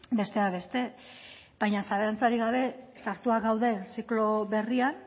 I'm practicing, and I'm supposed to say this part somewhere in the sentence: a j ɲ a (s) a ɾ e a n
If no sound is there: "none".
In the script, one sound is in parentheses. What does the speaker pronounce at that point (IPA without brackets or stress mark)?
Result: s